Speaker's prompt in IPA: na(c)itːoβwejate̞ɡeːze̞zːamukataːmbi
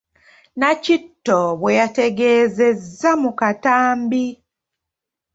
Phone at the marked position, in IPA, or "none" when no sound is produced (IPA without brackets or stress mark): c